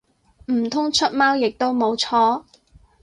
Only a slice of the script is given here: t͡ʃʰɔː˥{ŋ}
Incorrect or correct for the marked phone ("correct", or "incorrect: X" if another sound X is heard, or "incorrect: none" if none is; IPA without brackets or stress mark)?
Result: incorrect: none